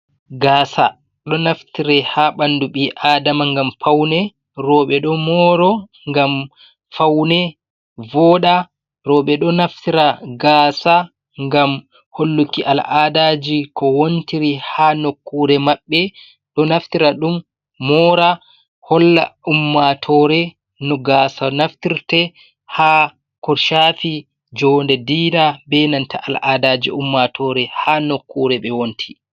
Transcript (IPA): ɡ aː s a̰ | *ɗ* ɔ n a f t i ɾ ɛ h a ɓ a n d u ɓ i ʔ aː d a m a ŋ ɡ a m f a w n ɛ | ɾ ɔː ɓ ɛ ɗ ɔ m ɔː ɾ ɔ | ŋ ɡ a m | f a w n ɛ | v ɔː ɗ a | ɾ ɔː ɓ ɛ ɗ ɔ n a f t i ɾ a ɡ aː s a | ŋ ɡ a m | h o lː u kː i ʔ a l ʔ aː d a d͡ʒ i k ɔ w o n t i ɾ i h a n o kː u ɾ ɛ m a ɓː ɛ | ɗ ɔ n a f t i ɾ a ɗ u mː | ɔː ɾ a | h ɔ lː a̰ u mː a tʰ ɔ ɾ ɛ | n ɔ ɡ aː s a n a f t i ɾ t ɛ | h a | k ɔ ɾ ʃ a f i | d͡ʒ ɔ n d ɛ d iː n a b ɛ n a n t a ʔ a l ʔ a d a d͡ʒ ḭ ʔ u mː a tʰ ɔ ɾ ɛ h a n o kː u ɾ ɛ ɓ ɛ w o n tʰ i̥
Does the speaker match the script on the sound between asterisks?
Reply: yes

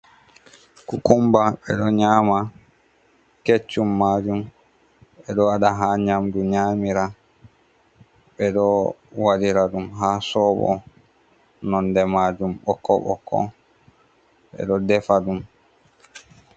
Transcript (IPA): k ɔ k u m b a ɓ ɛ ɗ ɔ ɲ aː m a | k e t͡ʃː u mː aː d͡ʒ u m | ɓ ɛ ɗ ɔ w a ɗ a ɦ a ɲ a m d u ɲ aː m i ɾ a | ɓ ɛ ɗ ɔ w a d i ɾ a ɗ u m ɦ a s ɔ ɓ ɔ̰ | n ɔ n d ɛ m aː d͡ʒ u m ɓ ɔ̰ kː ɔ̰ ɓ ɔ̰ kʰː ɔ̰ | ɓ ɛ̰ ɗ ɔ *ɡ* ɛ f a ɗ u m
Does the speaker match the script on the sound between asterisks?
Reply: no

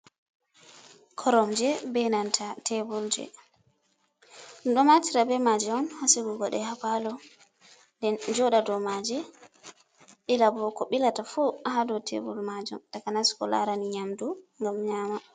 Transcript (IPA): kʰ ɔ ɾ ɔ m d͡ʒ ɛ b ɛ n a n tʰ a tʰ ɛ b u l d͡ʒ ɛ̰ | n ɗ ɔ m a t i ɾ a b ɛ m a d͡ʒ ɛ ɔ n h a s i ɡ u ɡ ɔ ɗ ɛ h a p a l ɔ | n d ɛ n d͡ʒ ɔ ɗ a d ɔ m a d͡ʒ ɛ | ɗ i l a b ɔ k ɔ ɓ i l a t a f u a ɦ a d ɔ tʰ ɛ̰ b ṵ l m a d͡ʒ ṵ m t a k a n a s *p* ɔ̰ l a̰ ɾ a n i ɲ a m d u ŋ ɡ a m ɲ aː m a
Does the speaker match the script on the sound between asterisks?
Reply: no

